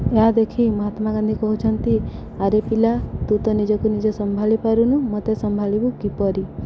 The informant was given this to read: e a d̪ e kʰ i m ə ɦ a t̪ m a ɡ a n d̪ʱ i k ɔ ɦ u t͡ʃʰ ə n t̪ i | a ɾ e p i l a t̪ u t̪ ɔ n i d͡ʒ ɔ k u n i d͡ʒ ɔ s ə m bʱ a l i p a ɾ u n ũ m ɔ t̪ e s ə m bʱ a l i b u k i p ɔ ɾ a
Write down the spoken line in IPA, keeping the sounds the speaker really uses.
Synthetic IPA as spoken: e a d̪ e kʰ i m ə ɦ a t̪ m a ɡ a n d̪ʱ i k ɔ ɦ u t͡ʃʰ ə n t̪ i | a ɾ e p i l a t̪ u t̪ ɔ n i d͡ʒ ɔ k u n i d͡ʒ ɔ s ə m bʱ a l i p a ɾ u n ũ m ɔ t̪ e s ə m bʱ a l i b u k i p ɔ ɾ i